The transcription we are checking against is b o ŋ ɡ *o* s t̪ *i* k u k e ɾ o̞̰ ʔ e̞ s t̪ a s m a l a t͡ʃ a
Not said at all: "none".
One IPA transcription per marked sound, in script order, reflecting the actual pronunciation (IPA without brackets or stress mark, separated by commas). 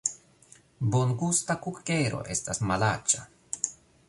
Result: u, a